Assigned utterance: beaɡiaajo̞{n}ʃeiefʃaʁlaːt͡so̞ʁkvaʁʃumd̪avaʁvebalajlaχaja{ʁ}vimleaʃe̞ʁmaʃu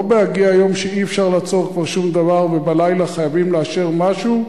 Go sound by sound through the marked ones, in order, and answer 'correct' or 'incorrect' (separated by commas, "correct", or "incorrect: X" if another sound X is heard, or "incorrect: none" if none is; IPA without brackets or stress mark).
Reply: incorrect: m, incorrect: none